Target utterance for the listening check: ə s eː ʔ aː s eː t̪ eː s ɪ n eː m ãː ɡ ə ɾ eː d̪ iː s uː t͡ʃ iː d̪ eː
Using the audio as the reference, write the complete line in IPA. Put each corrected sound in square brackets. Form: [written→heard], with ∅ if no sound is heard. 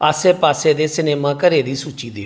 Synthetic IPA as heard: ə s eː [ʔ→p] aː s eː [t̪→d̪] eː s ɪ n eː m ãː [ɡ→k] ə ɾ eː d̪ iː s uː t͡ʃ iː d̪ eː